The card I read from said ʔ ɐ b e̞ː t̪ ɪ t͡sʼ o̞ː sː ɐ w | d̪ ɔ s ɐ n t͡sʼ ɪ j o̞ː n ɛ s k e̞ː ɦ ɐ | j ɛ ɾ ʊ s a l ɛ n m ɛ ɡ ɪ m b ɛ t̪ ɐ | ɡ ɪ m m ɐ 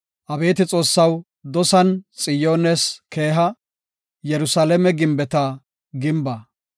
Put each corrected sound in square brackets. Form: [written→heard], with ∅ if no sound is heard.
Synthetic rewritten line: ʔ ɐ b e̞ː t̪ ɪ t͡sʼ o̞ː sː ɐ w | d̪ ɔ s ɐ n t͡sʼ ɪ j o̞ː n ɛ s k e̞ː ɦ ɐ | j ɛ ɾ ʊ s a l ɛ [n→∅] m ɛ ɡ ɪ m b ɛ t̪ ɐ | ɡ ɪ m [m→b] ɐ